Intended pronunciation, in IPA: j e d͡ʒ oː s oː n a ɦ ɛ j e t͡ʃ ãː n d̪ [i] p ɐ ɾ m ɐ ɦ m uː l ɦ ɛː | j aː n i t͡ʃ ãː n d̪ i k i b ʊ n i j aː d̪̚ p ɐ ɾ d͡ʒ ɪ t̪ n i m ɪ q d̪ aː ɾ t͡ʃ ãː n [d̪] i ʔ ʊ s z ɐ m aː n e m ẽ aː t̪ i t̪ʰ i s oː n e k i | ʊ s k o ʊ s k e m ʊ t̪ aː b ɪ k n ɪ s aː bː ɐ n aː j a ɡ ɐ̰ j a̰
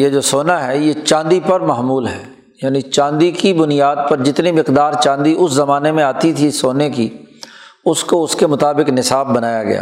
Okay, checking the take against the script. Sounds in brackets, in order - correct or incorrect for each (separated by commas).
correct, correct